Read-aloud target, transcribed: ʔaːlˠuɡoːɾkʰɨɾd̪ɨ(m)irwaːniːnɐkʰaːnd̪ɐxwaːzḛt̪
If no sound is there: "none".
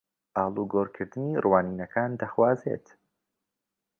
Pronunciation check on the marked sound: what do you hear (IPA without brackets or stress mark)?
n